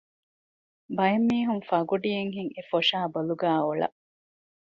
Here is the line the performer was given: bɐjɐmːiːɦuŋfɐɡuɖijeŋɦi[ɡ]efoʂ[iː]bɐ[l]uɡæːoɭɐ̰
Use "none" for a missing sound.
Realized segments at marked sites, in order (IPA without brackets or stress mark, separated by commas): ŋ, aː, l